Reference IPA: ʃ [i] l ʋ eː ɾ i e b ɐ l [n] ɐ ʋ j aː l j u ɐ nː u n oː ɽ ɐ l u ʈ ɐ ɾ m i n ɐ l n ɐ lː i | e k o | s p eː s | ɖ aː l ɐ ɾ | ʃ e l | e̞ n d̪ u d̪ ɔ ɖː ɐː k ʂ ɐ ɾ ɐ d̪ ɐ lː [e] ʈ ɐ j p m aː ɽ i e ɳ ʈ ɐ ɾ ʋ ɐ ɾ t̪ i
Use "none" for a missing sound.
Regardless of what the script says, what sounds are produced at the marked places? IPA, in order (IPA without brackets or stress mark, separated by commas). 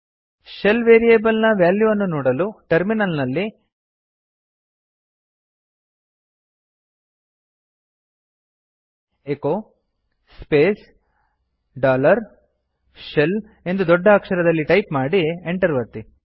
e, n, i